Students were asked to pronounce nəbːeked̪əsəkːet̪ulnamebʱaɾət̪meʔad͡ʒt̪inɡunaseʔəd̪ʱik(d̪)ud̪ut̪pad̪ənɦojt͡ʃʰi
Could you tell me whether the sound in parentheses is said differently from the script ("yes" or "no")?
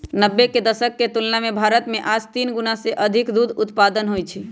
no